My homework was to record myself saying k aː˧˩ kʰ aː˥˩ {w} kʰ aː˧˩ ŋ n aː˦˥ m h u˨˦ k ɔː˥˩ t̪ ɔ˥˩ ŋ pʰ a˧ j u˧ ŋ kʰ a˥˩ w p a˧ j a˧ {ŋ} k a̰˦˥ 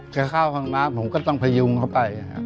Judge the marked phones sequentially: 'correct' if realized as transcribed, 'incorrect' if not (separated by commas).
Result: correct, incorrect